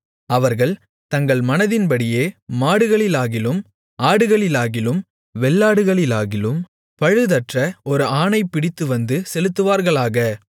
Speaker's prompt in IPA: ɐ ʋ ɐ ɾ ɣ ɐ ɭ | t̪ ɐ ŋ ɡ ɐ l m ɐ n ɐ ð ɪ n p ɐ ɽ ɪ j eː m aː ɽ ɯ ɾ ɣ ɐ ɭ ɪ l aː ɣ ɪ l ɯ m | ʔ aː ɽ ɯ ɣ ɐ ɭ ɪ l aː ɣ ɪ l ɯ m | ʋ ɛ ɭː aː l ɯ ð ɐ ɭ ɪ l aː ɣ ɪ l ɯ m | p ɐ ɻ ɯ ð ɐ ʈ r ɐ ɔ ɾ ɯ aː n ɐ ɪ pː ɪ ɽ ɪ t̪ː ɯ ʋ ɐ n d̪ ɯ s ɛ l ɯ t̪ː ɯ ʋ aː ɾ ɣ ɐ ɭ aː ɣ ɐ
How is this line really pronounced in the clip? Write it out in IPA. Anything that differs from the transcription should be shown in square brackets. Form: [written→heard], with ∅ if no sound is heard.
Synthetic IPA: ɐ ʋ ɐ ɾ ɣ ɐ ɭ | t̪ ɐ ŋ ɡ ɐ [l→ɭ] m ɐ n ɐ ð ɪ n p ɐ ɽ ɪ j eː m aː ɽ ɯ [ɾ→∅] ɣ ɐ ɭ ɪ l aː ɣ ɪ l ɯ m | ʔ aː ɽ ɯ ɣ ɐ ɭ ɪ l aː ɣ ɪ l ɯ m | ʋ ɛ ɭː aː [l→ɽ] ɯ [ð→ɣ] ɐ ɭ ɪ l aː ɣ ɪ l ɯ m | p ɐ ɻ ɯ ð ɐ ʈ r ɐ ɔ ɾ ɯ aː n ɐ ɪ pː ɪ ɽ ɪ t̪ː ɯ ʋ ɐ n d̪ ɯ s ɛ l ɯ t̪ː ɯ ʋ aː ɾ ɣ ɐ ɭ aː ɣ ɐ